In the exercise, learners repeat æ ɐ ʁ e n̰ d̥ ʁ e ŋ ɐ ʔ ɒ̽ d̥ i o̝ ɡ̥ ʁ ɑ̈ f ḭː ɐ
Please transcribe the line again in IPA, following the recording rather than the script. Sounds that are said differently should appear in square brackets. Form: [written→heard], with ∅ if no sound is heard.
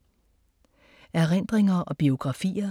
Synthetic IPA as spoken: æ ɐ ʁ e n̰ d̥ ʁ e ŋ ɐ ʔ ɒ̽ [d̥→b̥] i o̝ ɡ̥ ʁ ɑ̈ f ḭː ɐ